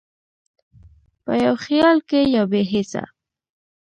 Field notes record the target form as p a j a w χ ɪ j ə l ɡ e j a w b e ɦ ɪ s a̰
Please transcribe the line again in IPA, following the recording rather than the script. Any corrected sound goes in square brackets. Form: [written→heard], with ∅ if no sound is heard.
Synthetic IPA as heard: p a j a w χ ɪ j [ə→ɑ] l [ɡ→k] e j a w b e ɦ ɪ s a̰